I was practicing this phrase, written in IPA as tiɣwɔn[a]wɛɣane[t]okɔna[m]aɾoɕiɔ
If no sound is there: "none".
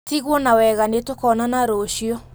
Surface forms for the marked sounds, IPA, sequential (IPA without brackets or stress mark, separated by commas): a, t, n